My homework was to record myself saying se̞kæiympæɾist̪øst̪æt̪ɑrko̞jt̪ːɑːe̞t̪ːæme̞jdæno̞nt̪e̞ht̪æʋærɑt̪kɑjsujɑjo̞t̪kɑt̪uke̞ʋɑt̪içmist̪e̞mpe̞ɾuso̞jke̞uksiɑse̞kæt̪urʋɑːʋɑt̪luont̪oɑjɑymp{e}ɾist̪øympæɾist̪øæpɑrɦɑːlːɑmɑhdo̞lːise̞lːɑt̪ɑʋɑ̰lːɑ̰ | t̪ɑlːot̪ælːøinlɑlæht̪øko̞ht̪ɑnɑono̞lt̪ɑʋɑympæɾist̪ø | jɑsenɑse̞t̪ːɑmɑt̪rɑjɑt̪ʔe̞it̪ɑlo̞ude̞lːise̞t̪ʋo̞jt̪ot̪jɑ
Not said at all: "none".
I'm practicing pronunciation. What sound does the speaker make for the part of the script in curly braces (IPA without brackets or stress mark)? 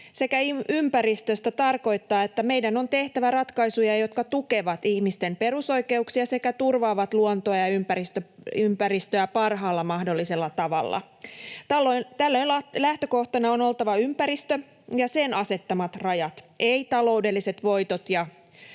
æ